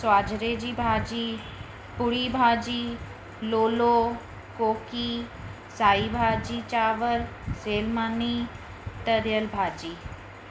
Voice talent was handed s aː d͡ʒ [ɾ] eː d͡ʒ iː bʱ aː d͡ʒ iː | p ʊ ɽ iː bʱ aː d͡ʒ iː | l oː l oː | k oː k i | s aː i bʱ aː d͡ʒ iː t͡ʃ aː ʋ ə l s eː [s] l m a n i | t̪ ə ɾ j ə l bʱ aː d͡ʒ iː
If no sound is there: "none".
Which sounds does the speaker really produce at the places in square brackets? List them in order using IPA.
ɾ, none

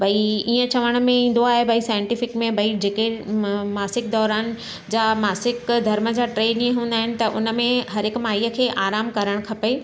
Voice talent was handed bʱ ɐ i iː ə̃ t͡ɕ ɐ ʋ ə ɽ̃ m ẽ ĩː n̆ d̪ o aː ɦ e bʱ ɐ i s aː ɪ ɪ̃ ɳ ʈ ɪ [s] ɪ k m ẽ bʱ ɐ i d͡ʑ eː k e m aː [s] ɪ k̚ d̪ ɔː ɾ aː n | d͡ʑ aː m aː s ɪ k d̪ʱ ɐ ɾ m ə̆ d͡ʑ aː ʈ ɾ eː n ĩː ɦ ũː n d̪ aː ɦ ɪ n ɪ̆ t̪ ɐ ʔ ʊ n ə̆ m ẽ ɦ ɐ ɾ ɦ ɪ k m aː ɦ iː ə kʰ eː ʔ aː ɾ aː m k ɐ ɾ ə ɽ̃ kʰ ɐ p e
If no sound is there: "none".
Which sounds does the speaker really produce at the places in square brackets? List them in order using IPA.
f, s

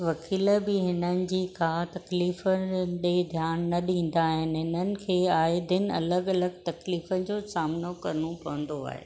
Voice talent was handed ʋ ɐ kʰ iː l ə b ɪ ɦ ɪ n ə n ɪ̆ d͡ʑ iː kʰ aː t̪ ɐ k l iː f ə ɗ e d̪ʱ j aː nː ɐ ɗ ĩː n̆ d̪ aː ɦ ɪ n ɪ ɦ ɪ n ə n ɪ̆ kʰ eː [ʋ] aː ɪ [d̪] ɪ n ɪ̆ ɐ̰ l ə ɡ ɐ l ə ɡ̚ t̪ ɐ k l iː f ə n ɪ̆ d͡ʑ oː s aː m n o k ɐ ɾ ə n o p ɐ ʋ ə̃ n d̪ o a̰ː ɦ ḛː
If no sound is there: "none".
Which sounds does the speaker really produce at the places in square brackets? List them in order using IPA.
none, d̪

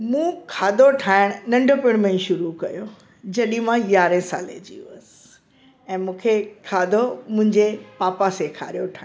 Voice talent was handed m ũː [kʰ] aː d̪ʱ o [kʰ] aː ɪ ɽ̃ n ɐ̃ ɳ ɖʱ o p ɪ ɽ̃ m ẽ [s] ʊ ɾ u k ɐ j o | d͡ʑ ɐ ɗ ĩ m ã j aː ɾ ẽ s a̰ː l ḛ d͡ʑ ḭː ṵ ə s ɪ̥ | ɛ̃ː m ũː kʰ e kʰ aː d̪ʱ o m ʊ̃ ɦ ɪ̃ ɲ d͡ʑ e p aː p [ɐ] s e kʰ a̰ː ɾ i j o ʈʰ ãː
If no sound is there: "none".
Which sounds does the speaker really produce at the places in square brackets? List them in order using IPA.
kʰ, ʈʰ, ʃ, a

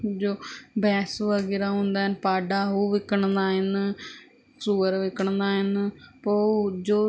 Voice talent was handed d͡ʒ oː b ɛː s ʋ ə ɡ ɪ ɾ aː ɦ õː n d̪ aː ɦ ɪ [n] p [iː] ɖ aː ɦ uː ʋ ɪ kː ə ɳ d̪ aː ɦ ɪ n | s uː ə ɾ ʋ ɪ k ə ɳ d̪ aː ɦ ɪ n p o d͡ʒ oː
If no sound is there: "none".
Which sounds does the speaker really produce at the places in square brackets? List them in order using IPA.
n, aː

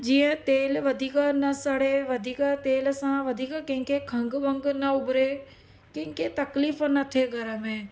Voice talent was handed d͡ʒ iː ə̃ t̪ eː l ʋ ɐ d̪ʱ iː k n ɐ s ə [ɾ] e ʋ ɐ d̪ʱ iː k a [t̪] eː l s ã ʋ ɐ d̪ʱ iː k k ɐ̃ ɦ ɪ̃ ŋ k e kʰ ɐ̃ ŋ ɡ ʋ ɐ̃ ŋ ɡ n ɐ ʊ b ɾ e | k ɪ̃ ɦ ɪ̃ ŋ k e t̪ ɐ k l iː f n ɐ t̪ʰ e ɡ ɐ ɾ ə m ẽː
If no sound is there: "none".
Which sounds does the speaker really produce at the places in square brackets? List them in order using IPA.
ɽ, t̪

